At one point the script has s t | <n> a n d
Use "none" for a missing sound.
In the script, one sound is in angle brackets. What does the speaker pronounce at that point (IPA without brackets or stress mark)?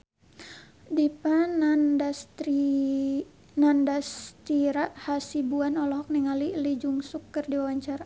n